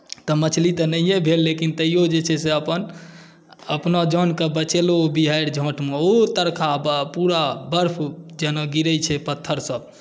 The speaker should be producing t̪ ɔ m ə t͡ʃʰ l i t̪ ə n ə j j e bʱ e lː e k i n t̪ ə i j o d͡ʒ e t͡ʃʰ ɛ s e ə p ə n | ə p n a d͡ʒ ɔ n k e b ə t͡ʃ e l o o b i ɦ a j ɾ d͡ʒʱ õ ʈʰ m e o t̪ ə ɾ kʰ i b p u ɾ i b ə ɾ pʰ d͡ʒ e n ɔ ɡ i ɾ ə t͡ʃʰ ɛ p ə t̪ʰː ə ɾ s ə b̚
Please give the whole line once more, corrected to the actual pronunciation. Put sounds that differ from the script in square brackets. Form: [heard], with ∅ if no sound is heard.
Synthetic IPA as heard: t̪ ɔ m ə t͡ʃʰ l i t̪ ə n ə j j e bʱ e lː e k i n t̪ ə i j o d͡ʒ e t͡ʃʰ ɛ s e ə p ə n | ə p n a d͡ʒ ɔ n k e b ə t͡ʃ e l o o b i ɦ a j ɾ d͡ʒʱ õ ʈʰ m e o t̪ ə ɾ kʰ [a] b p u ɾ [a] b ə ɾ pʰ d͡ʒ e n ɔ ɡ i ɾ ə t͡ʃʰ ɛ p ə t̪ʰː ə ɾ s ə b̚